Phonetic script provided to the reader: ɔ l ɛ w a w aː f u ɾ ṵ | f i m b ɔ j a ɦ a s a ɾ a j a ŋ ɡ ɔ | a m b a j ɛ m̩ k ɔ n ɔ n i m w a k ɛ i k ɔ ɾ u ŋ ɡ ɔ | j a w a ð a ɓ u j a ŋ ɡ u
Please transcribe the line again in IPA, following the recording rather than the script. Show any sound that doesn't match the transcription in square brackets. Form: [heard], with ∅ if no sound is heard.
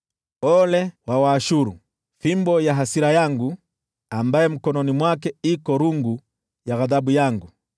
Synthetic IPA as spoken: ɔ l ɛ w a w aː [ʃ] u ɾ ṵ | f i m b ɔ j a ɦ a s [i] ɾ a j a ŋ ɡ [u] | a m b a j ɛ m̩ k ɔ n ɔ n i m w a k ɛ i k ɔ ɾ u ŋ ɡ [u] | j a [ɣ] a ð a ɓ u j a ŋ ɡ u

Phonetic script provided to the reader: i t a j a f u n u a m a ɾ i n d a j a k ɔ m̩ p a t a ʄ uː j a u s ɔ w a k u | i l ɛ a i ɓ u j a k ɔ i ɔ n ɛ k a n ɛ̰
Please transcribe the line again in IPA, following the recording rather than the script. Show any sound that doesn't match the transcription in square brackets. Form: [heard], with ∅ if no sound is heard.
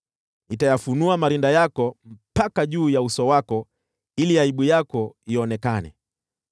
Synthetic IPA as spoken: i t a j a f u n u a m a ɾ i n d a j a k ɔ m̩ p a [k] a ʄ uː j a u s ɔ w a k [ɔ] | i l [i] a i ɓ u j a k ɔ i ɔ n ɛ k a n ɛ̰

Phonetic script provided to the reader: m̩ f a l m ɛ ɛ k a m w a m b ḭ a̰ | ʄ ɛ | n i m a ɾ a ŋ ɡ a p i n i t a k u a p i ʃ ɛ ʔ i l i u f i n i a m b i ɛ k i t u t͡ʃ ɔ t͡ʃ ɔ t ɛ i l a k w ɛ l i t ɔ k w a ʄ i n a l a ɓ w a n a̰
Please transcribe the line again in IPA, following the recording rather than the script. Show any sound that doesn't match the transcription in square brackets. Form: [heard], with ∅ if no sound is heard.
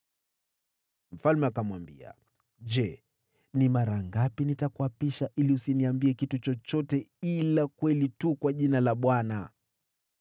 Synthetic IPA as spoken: m̩ f a l m ɛ [a] k a m w a m b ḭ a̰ | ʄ ɛ | n i m a ɾ a ŋ ɡ a p i n i t a k u a p i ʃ [a] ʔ i l i u [s] i n i a m b i ɛ k i t u t͡ʃ ɔ t͡ʃ ɔ t ɛ i l a k w ɛ l i t [u] k w a ʄ i n a l a ɓ w a n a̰

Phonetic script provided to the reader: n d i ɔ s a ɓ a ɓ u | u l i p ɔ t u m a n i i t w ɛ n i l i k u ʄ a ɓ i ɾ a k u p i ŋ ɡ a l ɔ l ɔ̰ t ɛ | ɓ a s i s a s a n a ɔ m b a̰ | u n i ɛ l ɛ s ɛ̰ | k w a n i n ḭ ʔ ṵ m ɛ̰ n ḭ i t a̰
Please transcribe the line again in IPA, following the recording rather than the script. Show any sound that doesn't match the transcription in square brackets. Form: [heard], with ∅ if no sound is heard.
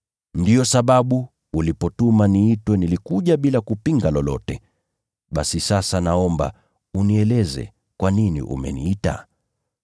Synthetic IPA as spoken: n d i ɔ s a ɓ a ɓ u | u l i p ɔ t u m a n i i t w ɛ n i l i k u ʄ a ɓ i [l] a k u p i ŋ ɡ a l ɔ l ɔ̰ t ɛ | ɓ a s i s a s a n a ɔ m b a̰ | u n i ɛ l ɛ [z] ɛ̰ | k w a n i n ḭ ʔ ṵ m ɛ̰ n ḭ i t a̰

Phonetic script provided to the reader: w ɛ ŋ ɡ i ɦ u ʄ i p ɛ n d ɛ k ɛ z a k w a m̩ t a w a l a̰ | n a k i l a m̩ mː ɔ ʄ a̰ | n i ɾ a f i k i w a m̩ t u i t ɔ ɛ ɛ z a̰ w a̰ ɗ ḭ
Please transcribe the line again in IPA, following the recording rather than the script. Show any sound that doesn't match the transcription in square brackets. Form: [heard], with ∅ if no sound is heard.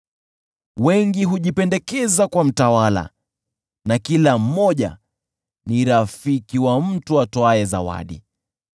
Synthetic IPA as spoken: w ɛ ŋ ɡ i ɦ u ʄ i p ɛ n d ɛ k ɛ z a k w a m̩ t a w a l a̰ | n a k i l a m̩ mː ɔ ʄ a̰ | n i ɾ a f i k i w a m̩ t u [a] t ɔ [a] ɛ z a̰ w a̰ ɗ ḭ

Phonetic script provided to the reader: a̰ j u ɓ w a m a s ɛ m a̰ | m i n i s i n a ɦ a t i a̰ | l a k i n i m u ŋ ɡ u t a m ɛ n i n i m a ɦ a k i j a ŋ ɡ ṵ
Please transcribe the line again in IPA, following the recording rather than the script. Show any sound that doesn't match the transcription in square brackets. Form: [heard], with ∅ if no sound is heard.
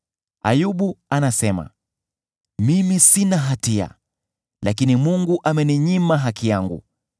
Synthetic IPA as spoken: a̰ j u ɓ [u] a [n] a s ɛ m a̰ | m i [m] i s i n a ɦ a t i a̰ | l a k i n i m u ŋ ɡ u [ʔ] a m ɛ n i [ɲ] i m a ɦ a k i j a ŋ ɡ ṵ

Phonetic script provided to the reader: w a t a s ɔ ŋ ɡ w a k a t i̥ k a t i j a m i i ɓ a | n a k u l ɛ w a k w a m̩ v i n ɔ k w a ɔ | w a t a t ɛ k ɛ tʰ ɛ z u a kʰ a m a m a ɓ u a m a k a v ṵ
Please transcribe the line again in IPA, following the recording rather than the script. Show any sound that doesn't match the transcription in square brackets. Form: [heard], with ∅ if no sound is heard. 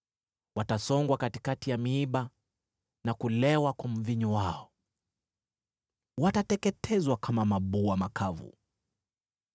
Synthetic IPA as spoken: w a t a s ɔ ŋ ɡ w a k a t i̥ k a t i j a m i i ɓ a | n a k u l ɛ w a k w a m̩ v i [ɲ] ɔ [∅] w a ɔ | w a t a t ɛ k ɛ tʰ ɛ z [w] a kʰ a m a m a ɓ u a m a k a v ṵ

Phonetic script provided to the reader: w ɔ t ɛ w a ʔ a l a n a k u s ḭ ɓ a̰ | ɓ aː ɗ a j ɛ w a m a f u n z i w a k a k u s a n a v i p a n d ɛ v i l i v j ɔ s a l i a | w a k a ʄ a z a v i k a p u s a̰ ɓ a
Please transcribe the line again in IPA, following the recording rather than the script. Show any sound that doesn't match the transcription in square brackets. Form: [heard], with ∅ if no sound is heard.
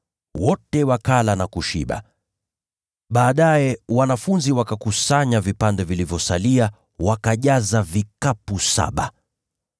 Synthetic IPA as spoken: w ɔ t ɛ w a [k] a l a n a k u [ʃ] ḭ ɓ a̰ | ɓ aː ɗ a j ɛ w a [n] a f u n z i w a k a k u s a [ɲ] a v i p a n d ɛ v i l i v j ɔ s a l i a | w a k a ʄ a z a v i k a p u s a̰ ɓ a

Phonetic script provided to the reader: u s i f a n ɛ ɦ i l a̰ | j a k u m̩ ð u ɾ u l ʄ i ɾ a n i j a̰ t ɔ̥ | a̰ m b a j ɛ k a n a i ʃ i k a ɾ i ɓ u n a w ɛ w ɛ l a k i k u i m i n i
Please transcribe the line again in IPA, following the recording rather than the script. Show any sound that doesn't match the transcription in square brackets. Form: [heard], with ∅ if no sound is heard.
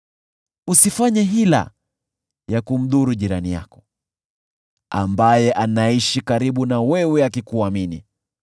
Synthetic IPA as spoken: u s i f a [ɲ] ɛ ɦ i l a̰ | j a k u m̩ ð u ɾ u [∅] ʄ i ɾ a n i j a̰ [k] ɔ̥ | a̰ m b a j ɛ [ʔ] a n a i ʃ i k a ɾ i ɓ u n a w ɛ w ɛ [∅] a k i k u [a] m i n i

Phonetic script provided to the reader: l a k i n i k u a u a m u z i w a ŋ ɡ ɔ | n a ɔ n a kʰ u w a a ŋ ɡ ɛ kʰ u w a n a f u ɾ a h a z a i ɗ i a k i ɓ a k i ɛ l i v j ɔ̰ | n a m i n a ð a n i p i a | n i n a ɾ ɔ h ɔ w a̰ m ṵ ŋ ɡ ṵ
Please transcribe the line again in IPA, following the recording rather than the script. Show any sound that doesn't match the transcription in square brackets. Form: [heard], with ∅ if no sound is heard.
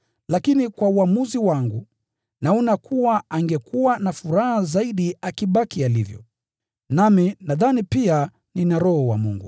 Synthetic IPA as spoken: l a k i n i k [w] a u a m u z i w a ŋ ɡ [u] | n a ɔ n a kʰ u w a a ŋ ɡ ɛ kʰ u w a n a f u ɾ a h a z a i ɗ i a k i ɓ a k i [a] l i v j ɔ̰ | n a m i n a ð a n i p i a | n i n a ɾ ɔ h ɔ w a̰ m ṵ ŋ ɡ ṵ

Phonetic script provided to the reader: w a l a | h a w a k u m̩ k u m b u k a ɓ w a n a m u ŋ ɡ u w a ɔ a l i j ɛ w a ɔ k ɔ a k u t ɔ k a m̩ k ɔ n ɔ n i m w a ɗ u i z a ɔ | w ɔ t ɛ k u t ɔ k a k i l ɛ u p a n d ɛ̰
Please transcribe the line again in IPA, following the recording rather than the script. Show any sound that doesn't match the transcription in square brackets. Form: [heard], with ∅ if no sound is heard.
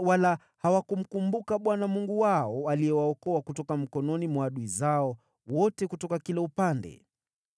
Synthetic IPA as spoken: w a l a | h a w a k u m̩ k u m b u k a ɓ w a n a m u ŋ ɡ u w a ɔ a l i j ɛ w a ɔ k ɔ a k u t ɔ k a m̩ k ɔ n ɔ n i m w a ɗ u i z a ɔ | w ɔ t ɛ k u t ɔ k a k i l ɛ u p a n d ɛ̰

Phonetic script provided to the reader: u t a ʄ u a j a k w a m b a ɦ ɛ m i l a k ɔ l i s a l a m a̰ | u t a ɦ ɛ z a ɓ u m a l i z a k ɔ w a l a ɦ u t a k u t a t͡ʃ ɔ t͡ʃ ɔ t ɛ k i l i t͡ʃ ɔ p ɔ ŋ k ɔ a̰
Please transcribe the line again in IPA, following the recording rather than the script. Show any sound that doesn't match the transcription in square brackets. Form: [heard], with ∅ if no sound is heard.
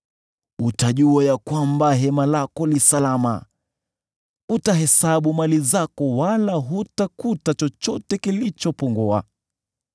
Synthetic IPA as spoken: u t a ʄ u a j a k w a m b a ɦ ɛ m [a] l a k ɔ l i s a l a m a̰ | u t a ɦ ɛ [s] a ɓ u m a l i z a k ɔ w a l a ɦ u t a k u t a t͡ʃ ɔ t͡ʃ ɔ t ɛ k i l i t͡ʃ ɔ p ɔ ŋ [ɡ] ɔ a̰

